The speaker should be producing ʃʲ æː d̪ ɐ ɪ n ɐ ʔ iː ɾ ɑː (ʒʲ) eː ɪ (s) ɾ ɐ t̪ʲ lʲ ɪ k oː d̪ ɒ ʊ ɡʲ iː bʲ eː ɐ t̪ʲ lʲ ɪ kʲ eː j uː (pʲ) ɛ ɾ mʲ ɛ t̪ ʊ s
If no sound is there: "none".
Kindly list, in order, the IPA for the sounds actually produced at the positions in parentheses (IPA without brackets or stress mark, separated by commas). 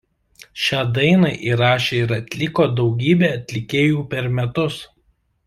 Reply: ʃʲ, none, pʲ